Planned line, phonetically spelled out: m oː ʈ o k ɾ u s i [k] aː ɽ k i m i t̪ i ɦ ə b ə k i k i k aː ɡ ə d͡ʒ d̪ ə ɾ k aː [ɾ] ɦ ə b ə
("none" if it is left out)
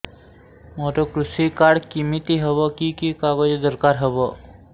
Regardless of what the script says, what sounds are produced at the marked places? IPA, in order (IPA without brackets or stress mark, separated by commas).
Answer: k, ɾ